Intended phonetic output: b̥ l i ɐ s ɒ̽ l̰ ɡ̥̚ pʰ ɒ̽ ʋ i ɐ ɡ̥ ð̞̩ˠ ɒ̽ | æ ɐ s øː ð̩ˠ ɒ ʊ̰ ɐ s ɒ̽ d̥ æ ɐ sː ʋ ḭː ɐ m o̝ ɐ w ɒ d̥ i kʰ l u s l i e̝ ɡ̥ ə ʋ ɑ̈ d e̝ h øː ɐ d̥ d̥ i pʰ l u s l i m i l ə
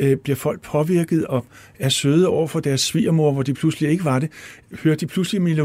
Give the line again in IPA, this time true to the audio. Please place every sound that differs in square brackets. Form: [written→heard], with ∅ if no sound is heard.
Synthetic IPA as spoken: b̥ l i ɐ [s→f] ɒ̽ l̰ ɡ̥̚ pʰ ɒ̽ ʋ i ɐ ɡ̥ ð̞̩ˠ ɒ̽ | æ ɐ s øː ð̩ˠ ɒ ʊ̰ ɐ [s→f] ɒ̽ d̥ æ ɐ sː ʋ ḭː ɐ m o̝ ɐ [w→ʋ] ɒ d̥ i [kʰ→pʰ] l u s l i e̝ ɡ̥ ə ʋ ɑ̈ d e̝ h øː ɐ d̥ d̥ i pʰ l u s l i m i l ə